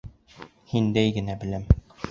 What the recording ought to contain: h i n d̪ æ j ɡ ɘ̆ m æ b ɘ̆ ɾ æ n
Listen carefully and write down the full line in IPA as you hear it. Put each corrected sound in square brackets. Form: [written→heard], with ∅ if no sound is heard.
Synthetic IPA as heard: h i n d̪ æ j ɡ ɘ̆ [m→n] æ b ɘ̆ [ɾ→l] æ [n→m]